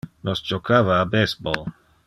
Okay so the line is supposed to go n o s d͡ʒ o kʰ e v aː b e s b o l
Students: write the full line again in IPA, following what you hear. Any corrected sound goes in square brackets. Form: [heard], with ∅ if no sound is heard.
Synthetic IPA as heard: n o s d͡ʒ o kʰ [a] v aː b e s b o l